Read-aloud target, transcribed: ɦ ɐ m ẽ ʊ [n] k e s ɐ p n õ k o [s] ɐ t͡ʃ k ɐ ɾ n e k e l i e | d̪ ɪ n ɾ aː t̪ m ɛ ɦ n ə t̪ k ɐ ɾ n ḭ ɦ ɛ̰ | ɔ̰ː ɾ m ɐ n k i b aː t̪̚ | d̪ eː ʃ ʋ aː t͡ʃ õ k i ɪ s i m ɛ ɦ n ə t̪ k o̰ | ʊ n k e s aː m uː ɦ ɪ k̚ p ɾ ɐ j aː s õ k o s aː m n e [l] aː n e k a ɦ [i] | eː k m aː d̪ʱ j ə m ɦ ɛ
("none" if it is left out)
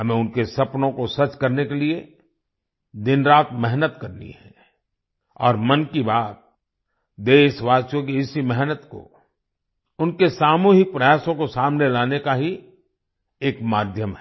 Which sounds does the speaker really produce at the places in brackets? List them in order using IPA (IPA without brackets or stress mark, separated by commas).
n, s, l, i